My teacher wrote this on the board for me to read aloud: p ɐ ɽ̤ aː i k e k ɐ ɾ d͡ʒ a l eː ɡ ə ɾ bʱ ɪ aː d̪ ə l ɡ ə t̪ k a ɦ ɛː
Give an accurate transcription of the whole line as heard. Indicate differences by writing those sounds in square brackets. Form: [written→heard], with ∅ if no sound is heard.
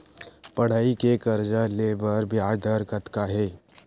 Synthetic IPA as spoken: p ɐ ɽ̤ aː i k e k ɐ ɾ d͡ʒ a l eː [ɡ→b] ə ɾ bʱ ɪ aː d̪ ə [l→ɾ] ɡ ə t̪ k a ɦ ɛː

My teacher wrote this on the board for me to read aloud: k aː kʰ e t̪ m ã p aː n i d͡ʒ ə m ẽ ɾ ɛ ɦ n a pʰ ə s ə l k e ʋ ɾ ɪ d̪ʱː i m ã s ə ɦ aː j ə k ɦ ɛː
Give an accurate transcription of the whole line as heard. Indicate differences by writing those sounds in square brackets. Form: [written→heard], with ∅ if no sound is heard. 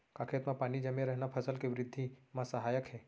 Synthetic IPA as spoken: k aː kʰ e t̪ m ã p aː n i d͡ʒ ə m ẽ ɾ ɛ ɦ n a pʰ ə s ə l k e ʋ ɾ ɪ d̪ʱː i m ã s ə ɦ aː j ə k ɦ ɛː

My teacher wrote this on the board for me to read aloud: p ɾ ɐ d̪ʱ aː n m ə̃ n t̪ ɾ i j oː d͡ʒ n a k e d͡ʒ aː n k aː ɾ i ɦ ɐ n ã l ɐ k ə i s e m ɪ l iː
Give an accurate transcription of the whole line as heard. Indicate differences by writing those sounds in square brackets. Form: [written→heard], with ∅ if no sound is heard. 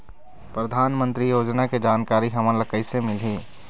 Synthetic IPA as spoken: p ɾ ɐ d̪ʱ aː n m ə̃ n t̪ ɾ i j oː d͡ʒ n a k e d͡ʒ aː n k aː ɾ i ɦ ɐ [n→m] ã l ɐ k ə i s e m ɪ l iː

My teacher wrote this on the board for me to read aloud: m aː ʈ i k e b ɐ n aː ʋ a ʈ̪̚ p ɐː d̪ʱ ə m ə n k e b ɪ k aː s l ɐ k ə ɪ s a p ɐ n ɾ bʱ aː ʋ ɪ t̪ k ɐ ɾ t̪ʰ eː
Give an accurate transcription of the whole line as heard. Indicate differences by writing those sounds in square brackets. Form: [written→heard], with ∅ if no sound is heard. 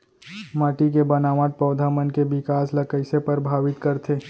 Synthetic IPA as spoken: m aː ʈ i k e b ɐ n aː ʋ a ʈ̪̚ p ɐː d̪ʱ [ə→a] m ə n k e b ɪ k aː s l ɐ k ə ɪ s [a→e] p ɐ [n→∅] ɾ bʱ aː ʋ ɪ t̪ k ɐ ɾ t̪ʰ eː

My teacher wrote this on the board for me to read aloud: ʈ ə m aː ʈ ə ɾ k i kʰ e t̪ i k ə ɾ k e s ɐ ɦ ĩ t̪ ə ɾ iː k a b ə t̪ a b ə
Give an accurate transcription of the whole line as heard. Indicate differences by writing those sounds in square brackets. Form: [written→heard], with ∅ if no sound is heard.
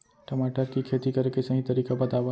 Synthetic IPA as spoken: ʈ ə m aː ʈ ə ɾ k i kʰ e t̪ i k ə ɾ k e s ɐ ɦ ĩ t̪ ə ɾ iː k a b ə t̪ a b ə

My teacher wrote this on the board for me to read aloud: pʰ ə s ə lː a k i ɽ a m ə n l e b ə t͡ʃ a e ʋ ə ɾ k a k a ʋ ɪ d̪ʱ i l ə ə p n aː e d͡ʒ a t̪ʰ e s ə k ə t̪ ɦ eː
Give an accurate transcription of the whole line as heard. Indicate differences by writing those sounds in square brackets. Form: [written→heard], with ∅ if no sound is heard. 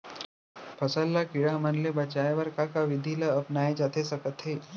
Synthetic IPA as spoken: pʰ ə s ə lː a k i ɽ a m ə n l e b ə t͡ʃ a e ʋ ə ɾ k a k a ʋ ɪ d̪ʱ i l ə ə p n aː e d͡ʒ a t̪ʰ e s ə k ə t̪ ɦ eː

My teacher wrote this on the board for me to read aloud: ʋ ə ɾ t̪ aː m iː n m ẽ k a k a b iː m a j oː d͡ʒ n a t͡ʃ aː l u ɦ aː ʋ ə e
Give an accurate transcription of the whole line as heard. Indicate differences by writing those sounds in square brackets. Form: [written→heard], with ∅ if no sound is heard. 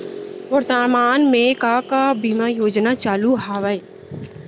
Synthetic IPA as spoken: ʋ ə ɾ t̪ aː m [iː→aː] n m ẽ k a k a b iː m a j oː d͡ʒ n a t͡ʃ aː l u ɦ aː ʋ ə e

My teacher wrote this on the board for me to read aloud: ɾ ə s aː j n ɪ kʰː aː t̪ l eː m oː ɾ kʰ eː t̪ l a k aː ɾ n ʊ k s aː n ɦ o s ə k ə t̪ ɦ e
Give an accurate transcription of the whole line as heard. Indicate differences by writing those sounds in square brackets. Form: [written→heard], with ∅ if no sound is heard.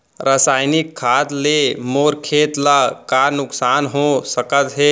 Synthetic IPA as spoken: ɾ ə s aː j n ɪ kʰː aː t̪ l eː m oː ɾ kʰ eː t̪ l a k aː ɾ n ʊ k s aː n ɦ o s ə k ə t̪ ɦ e

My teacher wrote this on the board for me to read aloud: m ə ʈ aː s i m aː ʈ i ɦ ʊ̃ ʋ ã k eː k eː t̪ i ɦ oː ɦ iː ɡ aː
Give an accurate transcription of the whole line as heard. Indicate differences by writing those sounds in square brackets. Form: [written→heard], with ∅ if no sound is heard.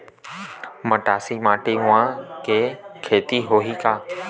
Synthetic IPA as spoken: m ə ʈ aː s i m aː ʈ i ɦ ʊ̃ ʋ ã k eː [k→kʰ] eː t̪ i ɦ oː ɦ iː [ɡ→k] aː

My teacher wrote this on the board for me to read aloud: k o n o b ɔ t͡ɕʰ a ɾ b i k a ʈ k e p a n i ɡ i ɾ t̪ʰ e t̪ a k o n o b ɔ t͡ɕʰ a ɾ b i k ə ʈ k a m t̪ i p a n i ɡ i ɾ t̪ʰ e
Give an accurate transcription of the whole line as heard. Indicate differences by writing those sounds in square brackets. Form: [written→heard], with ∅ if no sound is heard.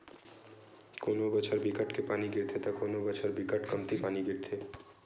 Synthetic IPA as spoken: k o n o b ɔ t͡ɕʰ a ɾ b i k a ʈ k e p a n i ɡ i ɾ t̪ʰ e t̪ a k o n o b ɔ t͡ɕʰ a ɾ b i k [ə→a] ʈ k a m t̪ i p a n i ɡ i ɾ t̪ʰ e

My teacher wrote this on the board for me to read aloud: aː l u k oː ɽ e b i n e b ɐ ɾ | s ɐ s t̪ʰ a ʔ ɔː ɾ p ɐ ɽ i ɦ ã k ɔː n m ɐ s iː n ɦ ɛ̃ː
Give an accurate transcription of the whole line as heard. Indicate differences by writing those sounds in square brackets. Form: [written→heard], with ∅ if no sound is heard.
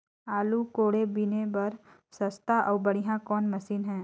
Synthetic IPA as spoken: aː l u k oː ɽ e b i n e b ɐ ɾ | s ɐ s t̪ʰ a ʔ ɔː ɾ [p→b] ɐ ɽ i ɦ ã k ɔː n m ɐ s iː n ɦ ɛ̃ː

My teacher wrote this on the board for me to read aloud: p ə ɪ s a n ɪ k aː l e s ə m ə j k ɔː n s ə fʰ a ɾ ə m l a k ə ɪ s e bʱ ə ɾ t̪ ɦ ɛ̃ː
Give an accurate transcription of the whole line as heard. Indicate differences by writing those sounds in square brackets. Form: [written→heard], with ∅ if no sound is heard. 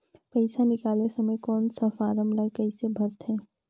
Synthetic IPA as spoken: p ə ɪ s a n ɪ k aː l e s ə m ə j k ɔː n s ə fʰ a ɾ ə m l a k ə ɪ s e bʱ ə ɾ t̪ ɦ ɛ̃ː

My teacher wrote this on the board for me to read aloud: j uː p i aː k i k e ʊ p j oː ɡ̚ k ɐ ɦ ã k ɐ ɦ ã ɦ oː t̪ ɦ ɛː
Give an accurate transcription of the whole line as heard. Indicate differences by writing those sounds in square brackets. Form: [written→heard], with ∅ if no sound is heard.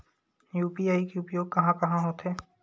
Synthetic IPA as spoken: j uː p i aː [k→∅] i k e ʊ p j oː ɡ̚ k ɐ ɦ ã k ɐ ɦ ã ɦ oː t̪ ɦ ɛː

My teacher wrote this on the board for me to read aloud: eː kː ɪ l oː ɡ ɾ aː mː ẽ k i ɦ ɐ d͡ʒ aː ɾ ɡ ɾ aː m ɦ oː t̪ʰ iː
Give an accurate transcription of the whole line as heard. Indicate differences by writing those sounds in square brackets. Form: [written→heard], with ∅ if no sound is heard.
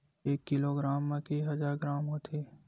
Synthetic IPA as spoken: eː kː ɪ l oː ɡ ɾ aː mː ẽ k i ɦ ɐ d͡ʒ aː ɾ ɡ ɾ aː m ɦ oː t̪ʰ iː

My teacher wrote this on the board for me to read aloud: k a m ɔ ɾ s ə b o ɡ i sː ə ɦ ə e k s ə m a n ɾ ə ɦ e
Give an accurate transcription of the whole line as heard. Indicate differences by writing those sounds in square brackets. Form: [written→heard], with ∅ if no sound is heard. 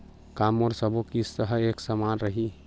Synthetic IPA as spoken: k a m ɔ ɾ s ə b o [ɡ→k] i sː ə ɦ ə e k s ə m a n ɾ ə ɦ [e→i]

